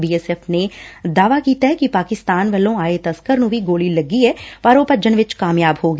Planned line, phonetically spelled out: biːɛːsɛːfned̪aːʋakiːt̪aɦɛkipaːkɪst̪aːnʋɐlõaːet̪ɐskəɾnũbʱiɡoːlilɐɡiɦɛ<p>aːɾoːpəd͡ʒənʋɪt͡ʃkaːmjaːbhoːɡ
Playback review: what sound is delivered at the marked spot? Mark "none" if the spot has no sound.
p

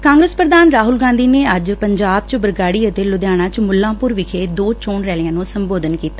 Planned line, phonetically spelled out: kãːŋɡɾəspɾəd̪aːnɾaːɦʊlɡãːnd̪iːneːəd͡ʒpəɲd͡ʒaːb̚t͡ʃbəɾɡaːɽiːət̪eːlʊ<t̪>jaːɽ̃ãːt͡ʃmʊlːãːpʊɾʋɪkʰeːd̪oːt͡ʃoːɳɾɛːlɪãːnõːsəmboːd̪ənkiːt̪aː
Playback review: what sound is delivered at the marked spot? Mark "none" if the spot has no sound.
d̪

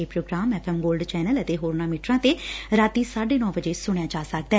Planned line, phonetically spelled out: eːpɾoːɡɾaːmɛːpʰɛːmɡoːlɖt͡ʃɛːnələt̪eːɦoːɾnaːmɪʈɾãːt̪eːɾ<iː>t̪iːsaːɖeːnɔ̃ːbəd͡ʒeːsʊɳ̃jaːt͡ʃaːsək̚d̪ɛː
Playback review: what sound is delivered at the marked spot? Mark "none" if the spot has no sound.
aː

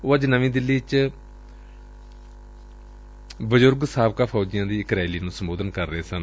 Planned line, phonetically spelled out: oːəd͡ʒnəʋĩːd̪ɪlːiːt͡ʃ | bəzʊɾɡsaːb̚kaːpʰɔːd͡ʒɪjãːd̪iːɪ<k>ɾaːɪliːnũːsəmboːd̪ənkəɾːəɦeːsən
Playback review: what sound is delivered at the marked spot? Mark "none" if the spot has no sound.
k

